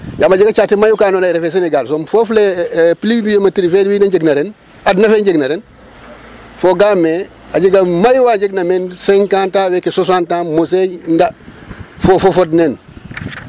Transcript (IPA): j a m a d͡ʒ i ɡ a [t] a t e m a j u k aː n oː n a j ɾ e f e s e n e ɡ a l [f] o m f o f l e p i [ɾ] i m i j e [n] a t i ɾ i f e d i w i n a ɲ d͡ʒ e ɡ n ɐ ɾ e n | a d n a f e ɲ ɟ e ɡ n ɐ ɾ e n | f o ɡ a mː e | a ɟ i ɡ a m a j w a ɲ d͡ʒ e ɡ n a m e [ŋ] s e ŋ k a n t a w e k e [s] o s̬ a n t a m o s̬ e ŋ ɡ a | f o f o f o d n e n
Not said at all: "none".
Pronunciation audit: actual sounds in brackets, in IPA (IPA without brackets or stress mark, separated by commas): t͡ʃ, s, l, m, n, s